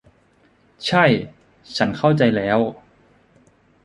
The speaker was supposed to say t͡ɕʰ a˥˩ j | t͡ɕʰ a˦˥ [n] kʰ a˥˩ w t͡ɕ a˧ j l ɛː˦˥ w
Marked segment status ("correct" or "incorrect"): correct